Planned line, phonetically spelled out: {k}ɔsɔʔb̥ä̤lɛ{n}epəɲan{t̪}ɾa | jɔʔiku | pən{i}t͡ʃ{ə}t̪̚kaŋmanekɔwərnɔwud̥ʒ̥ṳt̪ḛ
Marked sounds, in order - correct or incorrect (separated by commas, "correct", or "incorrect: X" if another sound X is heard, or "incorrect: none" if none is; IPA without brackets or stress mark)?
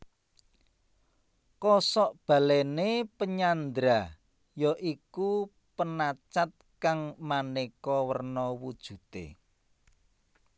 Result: correct, correct, incorrect: d̪, incorrect: a, incorrect: a